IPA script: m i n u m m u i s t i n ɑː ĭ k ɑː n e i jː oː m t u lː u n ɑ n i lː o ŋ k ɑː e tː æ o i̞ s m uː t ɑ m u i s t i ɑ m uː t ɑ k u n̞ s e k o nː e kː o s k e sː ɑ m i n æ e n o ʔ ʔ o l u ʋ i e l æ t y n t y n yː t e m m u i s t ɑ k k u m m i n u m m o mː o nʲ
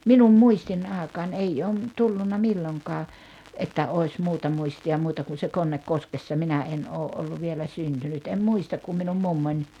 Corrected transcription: m i n u m m u i s t i n ɑː ĕ k ɑː n e i jː oː m t u lː u nː ɑ m i lː o ŋ k ɑː e tː æ o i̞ s m uː t ɑ m u i s t i ɑ m uː t ɑ k u n̞ s e k o nː e kː o s k e sː ɑ m i n æ e n oː ʔ ʔ o lː u ʋ i e l æ s y n t y n y t e m m u i s t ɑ k k u m m i n u m m u mː o nʲ